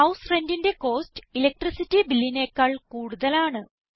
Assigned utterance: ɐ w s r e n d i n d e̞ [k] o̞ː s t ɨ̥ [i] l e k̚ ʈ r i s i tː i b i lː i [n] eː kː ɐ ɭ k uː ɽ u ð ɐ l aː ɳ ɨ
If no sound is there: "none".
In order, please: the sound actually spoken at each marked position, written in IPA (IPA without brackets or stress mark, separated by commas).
k, i, n